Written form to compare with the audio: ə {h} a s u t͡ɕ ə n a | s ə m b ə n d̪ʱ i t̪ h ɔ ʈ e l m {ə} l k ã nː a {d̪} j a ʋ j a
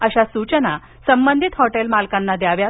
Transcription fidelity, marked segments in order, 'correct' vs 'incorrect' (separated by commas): incorrect, incorrect, correct